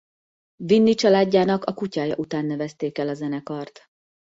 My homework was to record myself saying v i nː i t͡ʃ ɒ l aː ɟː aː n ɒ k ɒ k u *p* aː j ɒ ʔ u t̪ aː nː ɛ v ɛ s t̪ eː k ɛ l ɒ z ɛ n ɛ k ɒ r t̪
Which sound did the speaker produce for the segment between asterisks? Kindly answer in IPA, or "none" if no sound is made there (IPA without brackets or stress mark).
c